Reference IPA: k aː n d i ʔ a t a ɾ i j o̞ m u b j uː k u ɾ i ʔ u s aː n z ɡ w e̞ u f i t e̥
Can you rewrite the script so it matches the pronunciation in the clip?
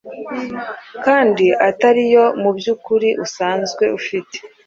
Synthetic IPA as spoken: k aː n d i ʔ a t a ɾ i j o̞ m u b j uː k u ɾ i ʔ u s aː n z ɡ w e̞ u f i t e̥